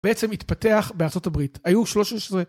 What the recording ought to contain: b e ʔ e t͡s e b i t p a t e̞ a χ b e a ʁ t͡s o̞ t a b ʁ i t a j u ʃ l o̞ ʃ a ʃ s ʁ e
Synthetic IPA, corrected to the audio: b e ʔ e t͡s e m i t p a t e̞ a χ b e a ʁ t͡s o̞ t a b ʁ i t a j u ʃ l o̞ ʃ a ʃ s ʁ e